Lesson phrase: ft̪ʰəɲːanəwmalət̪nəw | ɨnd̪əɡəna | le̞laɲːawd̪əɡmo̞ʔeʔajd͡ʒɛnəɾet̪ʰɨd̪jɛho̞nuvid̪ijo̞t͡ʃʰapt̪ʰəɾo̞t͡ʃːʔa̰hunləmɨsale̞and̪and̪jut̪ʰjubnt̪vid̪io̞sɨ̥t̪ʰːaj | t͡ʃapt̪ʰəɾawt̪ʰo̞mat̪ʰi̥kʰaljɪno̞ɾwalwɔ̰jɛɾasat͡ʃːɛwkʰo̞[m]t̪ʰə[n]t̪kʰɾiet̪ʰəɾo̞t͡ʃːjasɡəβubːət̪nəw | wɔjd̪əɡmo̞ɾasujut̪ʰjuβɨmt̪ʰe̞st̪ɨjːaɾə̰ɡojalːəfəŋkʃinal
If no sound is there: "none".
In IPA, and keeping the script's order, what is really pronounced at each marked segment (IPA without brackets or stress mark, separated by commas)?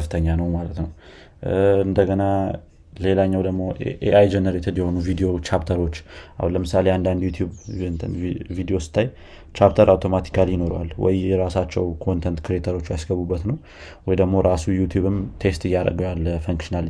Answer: n, n